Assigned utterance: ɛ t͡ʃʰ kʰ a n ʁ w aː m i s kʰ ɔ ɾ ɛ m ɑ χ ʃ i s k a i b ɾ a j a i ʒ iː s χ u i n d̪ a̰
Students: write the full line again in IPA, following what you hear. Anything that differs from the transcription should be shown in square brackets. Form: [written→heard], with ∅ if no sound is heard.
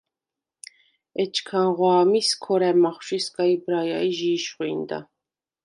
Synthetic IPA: ɛ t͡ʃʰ kʰ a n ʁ w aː m i s kʰ ɔ ɾ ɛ m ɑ χ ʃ i s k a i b ɾ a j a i ʒ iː [s→ʃ] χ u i n d̪ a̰

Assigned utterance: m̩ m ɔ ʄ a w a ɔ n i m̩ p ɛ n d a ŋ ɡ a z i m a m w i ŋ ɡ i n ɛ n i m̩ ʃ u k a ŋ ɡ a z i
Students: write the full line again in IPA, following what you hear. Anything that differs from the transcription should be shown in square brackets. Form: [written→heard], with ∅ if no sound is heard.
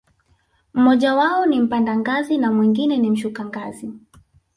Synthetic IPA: m̩ m ɔ ʄ a w a ɔ n i m̩ p [ɛ→a] n d a ŋ ɡ a z i [m→n] a m w i ŋ ɡ i n ɛ n i m̩ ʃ u k a ŋ ɡ a z i

